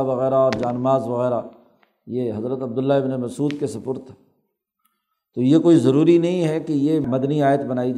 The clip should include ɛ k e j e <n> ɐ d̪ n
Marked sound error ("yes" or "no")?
yes